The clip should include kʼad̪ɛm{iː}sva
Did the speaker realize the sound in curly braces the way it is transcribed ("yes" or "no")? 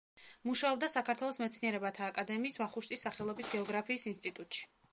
yes